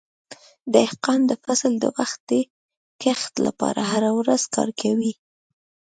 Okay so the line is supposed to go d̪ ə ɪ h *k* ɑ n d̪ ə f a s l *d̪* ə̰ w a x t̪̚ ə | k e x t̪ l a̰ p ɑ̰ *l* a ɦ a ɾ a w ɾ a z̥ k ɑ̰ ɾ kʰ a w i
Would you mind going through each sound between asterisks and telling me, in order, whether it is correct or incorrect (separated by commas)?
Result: incorrect, correct, incorrect